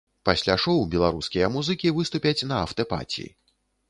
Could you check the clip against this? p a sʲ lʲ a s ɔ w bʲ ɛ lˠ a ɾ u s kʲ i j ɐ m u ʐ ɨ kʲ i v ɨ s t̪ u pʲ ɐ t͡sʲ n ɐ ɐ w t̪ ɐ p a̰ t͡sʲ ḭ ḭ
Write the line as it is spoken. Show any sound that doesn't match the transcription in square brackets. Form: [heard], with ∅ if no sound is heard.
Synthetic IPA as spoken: p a sʲ lʲ a [ʂ] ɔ w bʲ ɛ lˠ a ɾ u s kʲ i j ɐ m u [z] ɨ kʲ i v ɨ s t̪ u pʲ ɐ t͡sʲ n ɐ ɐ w t̪ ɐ p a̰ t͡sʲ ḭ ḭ